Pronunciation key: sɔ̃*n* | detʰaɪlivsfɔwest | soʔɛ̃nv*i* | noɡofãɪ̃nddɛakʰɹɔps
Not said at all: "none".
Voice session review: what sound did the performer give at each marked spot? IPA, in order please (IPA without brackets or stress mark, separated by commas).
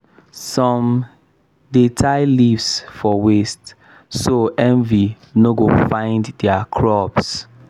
m, i